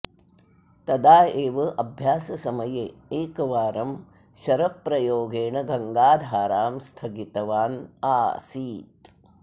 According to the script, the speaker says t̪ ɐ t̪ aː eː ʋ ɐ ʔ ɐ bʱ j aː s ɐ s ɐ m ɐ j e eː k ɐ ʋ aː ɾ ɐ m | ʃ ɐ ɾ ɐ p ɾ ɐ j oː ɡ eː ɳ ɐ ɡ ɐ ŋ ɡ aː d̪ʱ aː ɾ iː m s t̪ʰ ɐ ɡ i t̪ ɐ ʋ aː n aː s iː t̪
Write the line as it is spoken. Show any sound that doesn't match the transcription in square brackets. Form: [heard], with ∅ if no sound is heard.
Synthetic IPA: t̪ ɐ [d̪] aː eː ʋ ɐ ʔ ɐ bʱ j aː s ɐ s ɐ m ɐ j e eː k ɐ ʋ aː ɾ ɐ m | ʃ ɐ ɾ ɐ p ɾ ɐ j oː ɡ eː ɳ ɐ ɡ ɐ ŋ ɡ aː d̪ʱ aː ɾ [aː] m s t̪ʰ ɐ ɡ i t̪ ɐ ʋ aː n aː s iː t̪